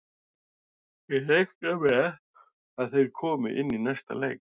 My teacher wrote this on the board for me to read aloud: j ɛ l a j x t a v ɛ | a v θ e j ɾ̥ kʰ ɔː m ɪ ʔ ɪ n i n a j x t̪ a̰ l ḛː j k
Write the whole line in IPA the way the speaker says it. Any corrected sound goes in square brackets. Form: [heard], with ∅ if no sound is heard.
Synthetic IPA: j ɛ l [e] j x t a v ɛ | a [ð] θ e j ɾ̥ kʰ ɔː m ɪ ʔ ɪ [nː] i n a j [s] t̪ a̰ l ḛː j k